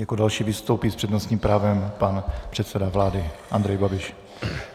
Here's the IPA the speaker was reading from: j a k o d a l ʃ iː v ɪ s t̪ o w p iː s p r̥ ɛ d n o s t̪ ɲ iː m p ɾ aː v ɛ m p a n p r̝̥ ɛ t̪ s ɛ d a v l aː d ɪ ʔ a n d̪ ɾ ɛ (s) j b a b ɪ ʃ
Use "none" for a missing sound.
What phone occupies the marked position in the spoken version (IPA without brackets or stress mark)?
none